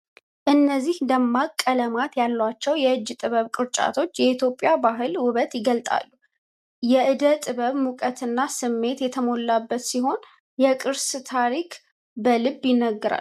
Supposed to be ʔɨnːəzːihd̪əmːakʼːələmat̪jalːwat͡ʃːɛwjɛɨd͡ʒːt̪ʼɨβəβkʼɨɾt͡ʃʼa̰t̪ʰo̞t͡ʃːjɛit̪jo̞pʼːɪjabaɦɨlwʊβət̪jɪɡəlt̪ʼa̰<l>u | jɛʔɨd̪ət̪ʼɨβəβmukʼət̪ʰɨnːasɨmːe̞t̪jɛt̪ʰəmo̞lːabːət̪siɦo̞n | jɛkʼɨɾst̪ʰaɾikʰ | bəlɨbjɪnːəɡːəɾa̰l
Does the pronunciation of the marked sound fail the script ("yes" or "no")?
yes